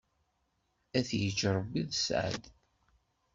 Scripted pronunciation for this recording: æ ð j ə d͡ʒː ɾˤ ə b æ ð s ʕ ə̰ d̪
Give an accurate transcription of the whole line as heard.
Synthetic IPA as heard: æ θ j ə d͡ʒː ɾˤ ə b i ð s ʕ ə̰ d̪